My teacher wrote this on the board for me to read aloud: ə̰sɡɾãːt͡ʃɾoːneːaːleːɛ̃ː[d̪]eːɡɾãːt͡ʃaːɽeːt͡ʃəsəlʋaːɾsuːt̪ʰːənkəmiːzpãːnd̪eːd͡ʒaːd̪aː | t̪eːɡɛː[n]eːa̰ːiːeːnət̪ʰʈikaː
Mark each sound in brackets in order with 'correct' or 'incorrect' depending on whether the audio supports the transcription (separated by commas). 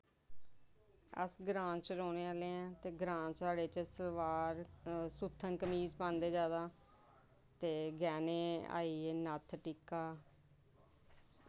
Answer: incorrect, correct